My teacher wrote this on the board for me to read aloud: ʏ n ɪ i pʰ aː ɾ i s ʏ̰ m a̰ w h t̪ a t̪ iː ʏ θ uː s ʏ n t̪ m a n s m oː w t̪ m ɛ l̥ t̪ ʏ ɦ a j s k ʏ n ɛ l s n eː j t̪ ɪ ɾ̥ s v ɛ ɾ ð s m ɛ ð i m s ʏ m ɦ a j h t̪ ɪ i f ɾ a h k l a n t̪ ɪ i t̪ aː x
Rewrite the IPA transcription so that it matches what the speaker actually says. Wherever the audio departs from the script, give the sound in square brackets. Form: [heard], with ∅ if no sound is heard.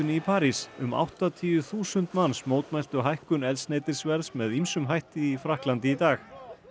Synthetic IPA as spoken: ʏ n ɪ i pʰ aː ɾ i s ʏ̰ m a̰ w h t̪ a [t̪ʰ] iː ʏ θ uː s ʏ n t̪ m a n s m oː w t̪ m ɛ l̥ t̪ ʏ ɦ a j [h] k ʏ n ɛ l s n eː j t̪ ɪ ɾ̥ s v ɛ ɾ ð s m ɛ ð i m s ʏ m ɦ a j h t̪ ɪ i f ɾ a h k l a n t̪ ɪ i t̪ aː x